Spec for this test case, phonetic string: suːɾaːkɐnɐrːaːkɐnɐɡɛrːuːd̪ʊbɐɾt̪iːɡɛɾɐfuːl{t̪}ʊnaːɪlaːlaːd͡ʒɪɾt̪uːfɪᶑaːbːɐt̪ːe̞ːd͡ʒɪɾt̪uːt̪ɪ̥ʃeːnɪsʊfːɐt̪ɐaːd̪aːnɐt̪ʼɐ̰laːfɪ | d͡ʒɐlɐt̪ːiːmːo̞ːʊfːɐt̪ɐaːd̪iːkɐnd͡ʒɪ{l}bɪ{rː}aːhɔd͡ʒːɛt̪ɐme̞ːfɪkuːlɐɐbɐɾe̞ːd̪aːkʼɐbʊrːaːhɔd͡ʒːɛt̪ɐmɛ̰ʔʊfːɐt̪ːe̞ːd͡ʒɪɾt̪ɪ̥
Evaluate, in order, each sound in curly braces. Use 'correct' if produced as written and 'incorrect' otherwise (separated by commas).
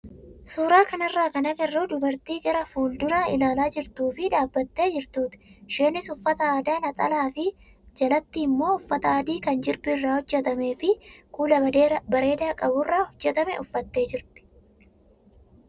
incorrect, incorrect, correct